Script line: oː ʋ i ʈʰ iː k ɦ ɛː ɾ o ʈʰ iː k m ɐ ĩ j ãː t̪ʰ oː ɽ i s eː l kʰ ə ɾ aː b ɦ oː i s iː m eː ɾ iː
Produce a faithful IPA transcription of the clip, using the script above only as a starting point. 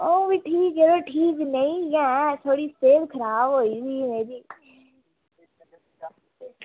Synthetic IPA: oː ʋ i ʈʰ iː k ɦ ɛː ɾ o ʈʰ iː k n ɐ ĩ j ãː t̪ʰ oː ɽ i s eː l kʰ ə ɾ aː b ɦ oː i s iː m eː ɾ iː